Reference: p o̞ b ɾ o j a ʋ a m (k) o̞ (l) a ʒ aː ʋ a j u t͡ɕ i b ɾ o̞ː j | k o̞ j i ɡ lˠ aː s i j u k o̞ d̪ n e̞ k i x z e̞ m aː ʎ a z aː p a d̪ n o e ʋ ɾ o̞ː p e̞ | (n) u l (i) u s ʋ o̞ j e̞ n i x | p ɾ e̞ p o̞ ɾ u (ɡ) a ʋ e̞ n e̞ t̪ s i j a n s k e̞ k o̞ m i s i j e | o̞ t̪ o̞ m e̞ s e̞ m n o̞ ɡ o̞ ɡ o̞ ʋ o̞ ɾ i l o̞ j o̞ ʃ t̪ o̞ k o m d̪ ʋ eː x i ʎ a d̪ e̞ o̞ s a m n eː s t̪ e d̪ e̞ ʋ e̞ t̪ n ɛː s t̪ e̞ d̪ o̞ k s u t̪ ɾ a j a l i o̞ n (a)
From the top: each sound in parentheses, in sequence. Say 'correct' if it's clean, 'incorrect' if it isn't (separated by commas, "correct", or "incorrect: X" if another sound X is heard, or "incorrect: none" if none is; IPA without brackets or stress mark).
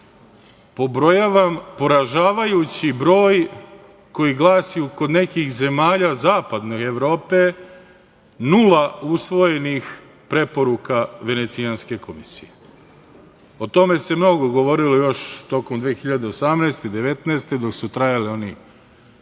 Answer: incorrect: p, incorrect: ɾ, correct, incorrect: a, incorrect: k, incorrect: i